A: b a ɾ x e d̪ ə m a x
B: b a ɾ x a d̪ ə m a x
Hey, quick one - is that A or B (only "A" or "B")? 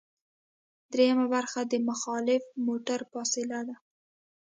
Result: B